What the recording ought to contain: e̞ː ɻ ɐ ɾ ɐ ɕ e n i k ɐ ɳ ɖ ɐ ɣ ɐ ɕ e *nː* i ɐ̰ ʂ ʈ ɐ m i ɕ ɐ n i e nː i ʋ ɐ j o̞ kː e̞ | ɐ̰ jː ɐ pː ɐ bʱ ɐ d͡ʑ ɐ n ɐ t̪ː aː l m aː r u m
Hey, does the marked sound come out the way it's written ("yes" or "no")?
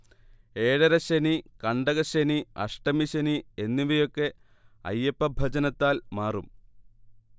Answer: no